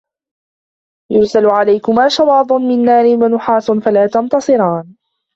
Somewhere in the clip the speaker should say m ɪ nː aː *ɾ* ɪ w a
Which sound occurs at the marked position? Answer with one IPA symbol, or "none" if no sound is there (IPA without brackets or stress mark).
ɾ